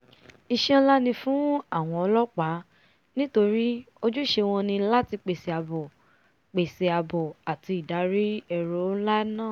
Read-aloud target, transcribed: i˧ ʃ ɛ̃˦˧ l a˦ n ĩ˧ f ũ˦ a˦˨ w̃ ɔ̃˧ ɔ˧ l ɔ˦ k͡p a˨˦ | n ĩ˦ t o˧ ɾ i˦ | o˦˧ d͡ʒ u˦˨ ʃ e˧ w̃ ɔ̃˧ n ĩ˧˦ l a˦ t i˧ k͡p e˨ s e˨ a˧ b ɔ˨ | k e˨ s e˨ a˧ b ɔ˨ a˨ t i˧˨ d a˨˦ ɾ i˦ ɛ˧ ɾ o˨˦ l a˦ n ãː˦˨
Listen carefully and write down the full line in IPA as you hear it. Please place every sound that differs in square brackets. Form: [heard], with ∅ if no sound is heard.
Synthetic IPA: i˧ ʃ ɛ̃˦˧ l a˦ n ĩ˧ f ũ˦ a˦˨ w̃ ɔ̃˧ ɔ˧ l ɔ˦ k͡p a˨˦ | n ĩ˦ t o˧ ɾ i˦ | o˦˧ d͡ʒ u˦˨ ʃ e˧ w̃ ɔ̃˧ n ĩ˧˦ l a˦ t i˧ k͡p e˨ s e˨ a˧ b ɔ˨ | [k͡p] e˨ s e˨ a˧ b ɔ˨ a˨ t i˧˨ d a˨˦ ɾ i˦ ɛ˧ ɾ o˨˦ l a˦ n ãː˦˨